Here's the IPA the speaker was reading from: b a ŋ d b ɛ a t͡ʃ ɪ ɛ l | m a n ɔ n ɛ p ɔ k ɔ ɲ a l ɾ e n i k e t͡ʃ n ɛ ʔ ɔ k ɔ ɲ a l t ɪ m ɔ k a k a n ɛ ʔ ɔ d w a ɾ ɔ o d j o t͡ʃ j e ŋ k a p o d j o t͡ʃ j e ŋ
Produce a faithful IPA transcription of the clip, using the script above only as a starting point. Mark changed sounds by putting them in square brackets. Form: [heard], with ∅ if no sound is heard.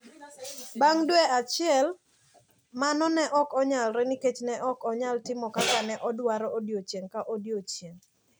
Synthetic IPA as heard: b a ŋ d [w] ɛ a t͡ʃ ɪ ɛ l | m a n ɔ n ɛ [ʔ] ɔ k ɔ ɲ a l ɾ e n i k e t͡ʃ n ɛ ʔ ɔ k ɔ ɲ a l t ɪ m ɔ k a k a n ɛ ʔ ɔ d w a ɾ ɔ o d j o t͡ʃ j e ŋ k a [ʔ] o d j o t͡ʃ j e ŋ

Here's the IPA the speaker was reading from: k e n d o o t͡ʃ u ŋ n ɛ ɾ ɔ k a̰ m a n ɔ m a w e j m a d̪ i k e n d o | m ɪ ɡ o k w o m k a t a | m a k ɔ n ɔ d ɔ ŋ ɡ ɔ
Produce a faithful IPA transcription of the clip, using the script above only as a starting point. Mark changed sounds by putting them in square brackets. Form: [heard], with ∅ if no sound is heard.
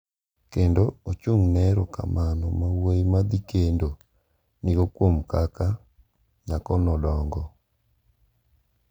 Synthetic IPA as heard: k e n d o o t͡ʃ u ŋ n ɛ ɾ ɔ k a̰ m a n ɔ m a w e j m a d̪ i k e n d o | [n] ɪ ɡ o k w o m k a [k] a | [ɲ] a k ɔ n ɔ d ɔ ŋ ɡ ɔ

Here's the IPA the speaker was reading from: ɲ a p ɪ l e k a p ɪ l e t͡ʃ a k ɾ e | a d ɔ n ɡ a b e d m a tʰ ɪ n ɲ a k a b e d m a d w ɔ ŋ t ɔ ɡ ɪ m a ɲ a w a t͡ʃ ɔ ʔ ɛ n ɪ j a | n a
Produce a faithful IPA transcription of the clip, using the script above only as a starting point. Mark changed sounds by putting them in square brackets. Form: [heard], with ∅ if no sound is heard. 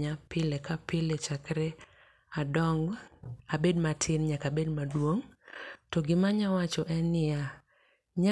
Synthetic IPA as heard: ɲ a p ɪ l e k a p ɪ l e t͡ʃ a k ɾ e | a d ɔ [ŋ] ɡ a b e d m a tʰ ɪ n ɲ a k a b e d m a d w [o] ŋ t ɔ ɡ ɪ m a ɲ a w a t͡ʃ ɔ ʔ ɛ n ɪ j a | [ɲ] a

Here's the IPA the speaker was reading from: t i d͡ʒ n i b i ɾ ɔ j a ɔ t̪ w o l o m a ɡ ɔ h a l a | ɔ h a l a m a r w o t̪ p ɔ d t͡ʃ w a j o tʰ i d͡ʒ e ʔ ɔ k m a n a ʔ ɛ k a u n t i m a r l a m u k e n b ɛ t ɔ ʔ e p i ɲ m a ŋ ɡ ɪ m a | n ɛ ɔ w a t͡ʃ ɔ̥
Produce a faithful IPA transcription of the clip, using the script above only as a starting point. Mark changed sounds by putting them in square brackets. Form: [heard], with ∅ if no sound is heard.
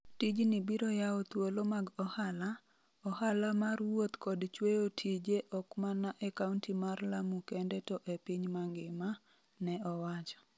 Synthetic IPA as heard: t i d͡ʒ n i b i ɾ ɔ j a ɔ t̪ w o l o m a ɡ ɔ h a l a | ɔ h a l a m a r w o t̪ [k] ɔ d t͡ʃ w [e] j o tʰ i d͡ʒ e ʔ ɔ k m a n a ʔ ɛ k a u n t i m a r l a m u k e n [d] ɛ t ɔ ʔ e p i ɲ m a ŋ ɡ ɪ m a | n ɛ ɔ w a t͡ʃ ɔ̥

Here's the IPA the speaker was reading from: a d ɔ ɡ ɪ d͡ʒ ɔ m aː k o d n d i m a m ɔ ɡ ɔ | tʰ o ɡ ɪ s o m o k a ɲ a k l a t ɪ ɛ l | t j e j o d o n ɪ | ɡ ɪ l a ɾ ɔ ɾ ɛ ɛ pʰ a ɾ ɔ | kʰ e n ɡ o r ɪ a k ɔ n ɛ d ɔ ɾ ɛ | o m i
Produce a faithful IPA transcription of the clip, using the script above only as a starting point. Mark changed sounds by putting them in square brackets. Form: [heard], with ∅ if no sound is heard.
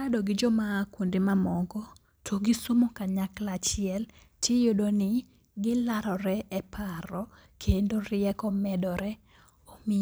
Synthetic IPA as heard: a d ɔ ɡ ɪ d͡ʒ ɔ m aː k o [∅] n d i m a m ɔ ɡ ɔ | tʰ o ɡ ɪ s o m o k a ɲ a k l a [t͡ʃ] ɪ ɛ l | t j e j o d o n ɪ | ɡ ɪ l a ɾ ɔ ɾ ɛ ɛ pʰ a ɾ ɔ | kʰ e n [d] o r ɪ [ɛ] k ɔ [m] ɛ d ɔ ɾ ɛ | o m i

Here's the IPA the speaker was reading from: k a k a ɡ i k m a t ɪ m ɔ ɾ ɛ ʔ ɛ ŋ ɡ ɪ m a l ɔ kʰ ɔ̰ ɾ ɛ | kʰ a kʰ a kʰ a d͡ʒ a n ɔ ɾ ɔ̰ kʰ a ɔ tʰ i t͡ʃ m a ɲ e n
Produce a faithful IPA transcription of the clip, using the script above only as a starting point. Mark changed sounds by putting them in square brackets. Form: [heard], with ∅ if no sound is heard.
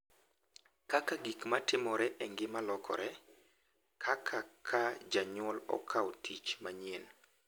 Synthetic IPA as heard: k a k a ɡ i k m a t ɪ m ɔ ɾ ɛ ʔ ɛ ŋ ɡ ɪ m a l ɔ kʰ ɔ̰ ɾ ɛ | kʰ a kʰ a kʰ a d͡ʒ a [ɲ] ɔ [l] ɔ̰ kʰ a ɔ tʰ i t͡ʃ m a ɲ e n

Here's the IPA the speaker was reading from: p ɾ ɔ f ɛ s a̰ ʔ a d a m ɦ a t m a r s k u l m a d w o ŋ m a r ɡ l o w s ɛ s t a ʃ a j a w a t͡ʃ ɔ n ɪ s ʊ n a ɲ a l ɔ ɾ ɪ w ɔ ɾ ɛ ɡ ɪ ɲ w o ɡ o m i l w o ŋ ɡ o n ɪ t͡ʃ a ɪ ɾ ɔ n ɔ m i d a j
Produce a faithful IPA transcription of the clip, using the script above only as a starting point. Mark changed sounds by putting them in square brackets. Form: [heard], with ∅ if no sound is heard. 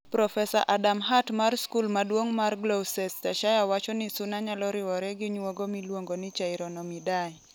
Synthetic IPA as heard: p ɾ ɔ f ɛ s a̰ ʔ a d a m ɦ a t m a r s k u l m a d w o ŋ m a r ɡ l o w s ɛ s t a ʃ a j a w a t͡ʃ ɔ n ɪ s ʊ n a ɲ a l ɔ ɾ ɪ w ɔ ɾ ɛ ɡ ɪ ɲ w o ɡ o m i l w o ŋ ɡ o n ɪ t͡ʃ a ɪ ɾ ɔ n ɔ m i d a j

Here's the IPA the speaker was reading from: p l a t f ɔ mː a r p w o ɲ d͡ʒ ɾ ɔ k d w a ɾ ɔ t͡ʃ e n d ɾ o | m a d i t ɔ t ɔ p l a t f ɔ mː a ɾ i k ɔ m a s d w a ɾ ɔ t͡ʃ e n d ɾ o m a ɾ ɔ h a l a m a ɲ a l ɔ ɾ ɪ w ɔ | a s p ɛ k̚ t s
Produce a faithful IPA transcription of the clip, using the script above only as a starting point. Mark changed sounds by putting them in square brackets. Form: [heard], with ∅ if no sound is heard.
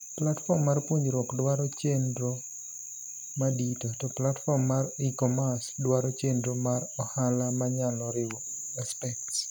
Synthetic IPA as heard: p l a t f ɔ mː a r p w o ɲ d͡ʒ ɾ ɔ k d w a ɾ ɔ t͡ʃ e n d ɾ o | m a d i t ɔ t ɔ p l a t f ɔ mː a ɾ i k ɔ m a s d w a ɾ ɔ t͡ʃ e n d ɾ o m a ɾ ɔ h a l a m a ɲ a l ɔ ɾ ɪ w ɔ | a s p ɛ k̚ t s

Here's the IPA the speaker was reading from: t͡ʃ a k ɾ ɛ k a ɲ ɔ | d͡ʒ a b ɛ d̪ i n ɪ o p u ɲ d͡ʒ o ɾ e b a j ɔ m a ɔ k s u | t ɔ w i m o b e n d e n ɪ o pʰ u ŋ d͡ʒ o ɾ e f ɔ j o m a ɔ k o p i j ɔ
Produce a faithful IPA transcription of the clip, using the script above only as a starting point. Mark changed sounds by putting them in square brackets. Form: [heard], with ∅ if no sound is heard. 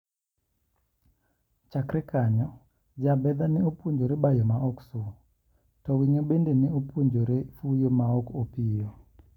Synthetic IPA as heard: t͡ʃ a k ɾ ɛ k a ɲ ɔ | d͡ʒ a b ɛ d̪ [a] n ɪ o p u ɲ d͡ʒ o ɾ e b a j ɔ m a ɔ k s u | t ɔ w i [ɲ] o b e n d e n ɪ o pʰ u [ɲ] d͡ʒ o ɾ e f [u] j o m a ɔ k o p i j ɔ

